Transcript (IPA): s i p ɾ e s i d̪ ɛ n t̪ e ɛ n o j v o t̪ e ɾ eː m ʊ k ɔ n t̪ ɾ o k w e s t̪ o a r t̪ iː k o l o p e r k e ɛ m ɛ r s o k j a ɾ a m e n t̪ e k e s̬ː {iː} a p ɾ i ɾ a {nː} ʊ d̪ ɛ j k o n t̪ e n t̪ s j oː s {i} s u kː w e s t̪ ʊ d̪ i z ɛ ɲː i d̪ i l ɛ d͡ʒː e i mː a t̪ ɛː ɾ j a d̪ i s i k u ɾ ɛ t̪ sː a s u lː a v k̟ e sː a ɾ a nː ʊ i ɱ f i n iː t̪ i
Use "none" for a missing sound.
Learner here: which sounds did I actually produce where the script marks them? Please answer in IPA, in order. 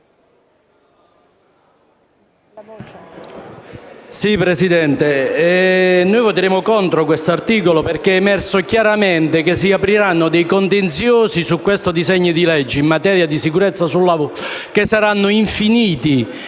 i, nː, i

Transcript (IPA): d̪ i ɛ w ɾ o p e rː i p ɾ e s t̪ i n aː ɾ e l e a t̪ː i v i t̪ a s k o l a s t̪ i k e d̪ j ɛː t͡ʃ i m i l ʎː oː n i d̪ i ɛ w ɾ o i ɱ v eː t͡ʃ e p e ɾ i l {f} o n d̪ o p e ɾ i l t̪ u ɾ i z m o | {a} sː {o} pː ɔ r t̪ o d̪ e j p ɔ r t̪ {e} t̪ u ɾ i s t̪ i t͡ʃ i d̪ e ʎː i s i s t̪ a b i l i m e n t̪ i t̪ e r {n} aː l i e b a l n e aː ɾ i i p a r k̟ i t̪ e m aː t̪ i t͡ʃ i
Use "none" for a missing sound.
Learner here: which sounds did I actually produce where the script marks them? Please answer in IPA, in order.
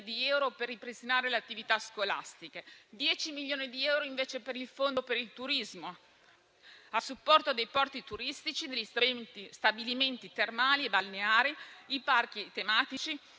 f, a, u, i, m

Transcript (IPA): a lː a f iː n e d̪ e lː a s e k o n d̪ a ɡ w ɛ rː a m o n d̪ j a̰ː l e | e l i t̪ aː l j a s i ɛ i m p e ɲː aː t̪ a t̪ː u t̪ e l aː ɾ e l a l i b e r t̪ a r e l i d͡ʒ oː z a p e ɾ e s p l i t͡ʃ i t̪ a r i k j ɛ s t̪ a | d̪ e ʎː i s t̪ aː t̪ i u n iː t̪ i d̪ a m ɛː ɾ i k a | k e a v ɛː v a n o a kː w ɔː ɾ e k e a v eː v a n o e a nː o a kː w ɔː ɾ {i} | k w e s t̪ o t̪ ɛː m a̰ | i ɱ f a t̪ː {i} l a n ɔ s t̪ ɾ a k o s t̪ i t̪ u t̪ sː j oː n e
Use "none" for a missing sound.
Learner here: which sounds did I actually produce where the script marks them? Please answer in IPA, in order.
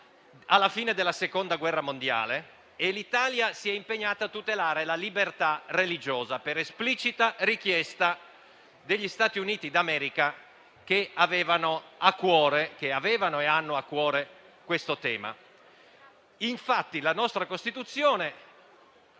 e, i

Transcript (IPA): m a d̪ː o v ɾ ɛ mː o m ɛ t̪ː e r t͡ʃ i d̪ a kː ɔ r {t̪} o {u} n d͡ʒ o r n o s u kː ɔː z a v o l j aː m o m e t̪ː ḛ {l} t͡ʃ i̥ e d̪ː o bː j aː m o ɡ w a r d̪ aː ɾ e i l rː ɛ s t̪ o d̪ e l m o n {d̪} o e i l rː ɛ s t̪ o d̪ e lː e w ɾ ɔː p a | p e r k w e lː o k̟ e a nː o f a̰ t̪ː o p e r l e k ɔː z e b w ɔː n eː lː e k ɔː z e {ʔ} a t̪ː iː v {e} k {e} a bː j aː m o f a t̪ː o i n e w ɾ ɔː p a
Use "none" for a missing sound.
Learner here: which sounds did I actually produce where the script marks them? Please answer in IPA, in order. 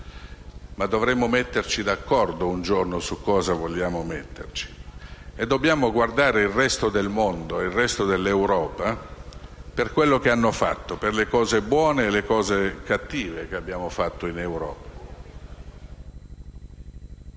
d̪, u, r, d̪, k, e, e

